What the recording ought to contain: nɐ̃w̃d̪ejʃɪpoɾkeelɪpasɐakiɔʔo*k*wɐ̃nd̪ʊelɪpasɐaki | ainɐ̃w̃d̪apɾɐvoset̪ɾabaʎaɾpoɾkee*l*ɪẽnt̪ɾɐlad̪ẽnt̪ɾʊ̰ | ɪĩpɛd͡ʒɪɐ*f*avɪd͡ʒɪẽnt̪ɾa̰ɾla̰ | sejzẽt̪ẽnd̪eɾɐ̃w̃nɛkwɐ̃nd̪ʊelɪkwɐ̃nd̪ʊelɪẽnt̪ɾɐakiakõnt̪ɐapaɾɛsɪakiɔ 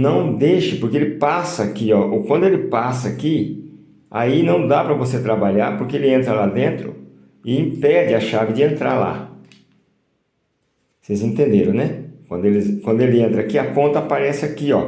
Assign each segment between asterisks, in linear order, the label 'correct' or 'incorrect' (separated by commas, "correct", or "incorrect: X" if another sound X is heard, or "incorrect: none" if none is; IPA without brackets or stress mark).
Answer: correct, correct, incorrect: ʃ